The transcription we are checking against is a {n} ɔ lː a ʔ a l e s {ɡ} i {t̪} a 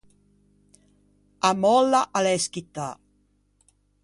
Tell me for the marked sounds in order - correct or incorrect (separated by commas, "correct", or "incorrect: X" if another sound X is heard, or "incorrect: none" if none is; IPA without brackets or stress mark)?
incorrect: m, incorrect: k, correct